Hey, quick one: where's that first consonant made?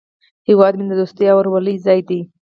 throat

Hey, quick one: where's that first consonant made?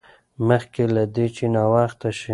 lips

